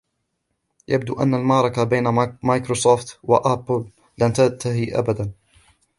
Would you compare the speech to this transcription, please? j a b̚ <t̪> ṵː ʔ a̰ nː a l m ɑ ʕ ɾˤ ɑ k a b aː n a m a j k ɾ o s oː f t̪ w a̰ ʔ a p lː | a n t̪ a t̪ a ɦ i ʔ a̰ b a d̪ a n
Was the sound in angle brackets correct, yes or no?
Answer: no